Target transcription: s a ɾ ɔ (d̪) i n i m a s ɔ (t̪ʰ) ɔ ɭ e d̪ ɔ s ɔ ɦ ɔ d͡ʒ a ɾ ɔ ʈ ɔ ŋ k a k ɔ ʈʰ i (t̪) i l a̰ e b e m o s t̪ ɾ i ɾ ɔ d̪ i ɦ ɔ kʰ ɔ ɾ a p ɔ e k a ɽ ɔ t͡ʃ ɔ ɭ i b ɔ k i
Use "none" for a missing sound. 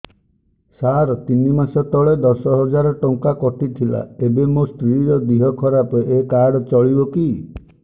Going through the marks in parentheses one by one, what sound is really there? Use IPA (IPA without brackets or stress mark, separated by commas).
t̪, t̪, t̪ʰ